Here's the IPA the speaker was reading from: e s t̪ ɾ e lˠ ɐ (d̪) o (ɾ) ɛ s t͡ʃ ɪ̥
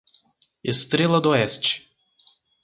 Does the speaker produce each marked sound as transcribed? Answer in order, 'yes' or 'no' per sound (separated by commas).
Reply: yes, no